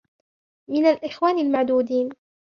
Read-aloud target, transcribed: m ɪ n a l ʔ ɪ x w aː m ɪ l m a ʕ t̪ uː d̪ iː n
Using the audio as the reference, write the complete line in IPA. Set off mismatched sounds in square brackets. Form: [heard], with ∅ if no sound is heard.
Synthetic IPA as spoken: m ɪ n a l ʔ ɪ x w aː [n] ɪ l m a ʕ [d̪] uː d̪ iː n